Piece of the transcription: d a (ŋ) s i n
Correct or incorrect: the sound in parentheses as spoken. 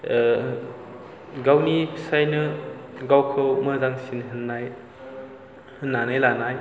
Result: correct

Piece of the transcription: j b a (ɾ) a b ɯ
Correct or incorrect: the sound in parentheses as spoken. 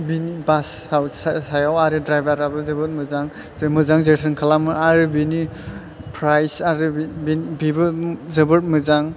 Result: correct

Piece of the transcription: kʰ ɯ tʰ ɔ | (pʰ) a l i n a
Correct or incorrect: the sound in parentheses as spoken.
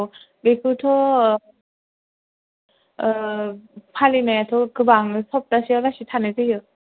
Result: correct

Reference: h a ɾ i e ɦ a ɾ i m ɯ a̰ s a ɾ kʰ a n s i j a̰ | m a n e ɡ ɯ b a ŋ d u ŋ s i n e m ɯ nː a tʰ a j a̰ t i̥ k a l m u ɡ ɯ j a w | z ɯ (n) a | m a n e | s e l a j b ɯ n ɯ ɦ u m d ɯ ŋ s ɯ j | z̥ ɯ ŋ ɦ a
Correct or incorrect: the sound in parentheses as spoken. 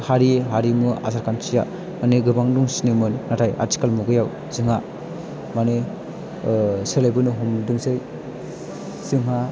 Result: incorrect: ŋ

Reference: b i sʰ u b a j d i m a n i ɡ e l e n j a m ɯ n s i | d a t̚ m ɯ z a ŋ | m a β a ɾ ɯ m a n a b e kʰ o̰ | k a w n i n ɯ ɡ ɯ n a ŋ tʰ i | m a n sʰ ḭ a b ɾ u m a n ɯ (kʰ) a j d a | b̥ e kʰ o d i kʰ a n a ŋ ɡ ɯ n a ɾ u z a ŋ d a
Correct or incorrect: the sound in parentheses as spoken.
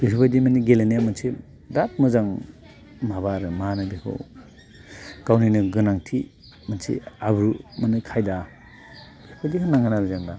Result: correct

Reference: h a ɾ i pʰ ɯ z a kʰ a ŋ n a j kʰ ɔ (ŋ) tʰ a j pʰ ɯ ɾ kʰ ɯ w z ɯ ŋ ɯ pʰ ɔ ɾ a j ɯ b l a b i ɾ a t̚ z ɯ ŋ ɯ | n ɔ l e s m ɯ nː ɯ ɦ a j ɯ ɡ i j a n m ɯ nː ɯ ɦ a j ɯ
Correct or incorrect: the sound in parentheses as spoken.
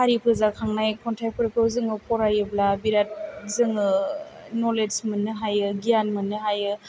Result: incorrect: n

